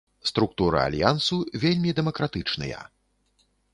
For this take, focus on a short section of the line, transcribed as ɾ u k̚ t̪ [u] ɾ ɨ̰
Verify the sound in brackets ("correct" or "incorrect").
correct